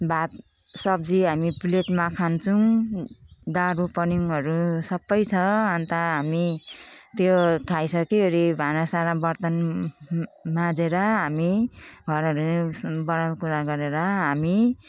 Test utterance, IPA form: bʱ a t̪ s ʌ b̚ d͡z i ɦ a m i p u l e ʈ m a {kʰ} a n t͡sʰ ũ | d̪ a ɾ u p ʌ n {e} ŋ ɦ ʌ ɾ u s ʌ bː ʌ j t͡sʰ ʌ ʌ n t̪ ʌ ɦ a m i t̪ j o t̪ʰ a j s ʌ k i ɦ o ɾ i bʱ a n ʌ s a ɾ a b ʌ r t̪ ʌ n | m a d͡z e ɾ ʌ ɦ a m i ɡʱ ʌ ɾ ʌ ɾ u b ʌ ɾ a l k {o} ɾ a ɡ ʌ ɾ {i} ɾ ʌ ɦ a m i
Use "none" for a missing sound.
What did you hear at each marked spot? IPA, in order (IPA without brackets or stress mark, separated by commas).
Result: kʰ, i, u, e